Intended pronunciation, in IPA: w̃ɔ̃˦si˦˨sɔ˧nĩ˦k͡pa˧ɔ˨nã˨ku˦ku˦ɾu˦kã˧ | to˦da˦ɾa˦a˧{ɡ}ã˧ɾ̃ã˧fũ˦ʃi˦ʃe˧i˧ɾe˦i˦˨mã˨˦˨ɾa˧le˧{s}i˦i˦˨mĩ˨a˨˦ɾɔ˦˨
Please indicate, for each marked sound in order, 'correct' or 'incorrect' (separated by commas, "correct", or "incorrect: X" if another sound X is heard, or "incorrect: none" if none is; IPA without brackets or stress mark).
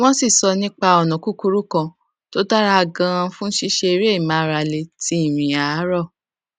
correct, incorrect: t